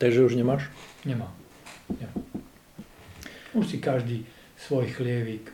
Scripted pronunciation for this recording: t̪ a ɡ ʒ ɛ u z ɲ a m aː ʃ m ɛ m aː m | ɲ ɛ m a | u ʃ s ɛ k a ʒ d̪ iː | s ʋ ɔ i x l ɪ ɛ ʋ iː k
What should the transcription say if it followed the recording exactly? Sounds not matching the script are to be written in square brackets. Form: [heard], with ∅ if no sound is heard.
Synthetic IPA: t̪ a ɡ ʒ ɛ u [ʒ] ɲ [ɛ] m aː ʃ [ɲ] ɛ m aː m | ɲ ɛ m a | u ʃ s [i] k a ʒ d̪ iː | s ʋ ɔ [j] x l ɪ ɛ ʋ iː k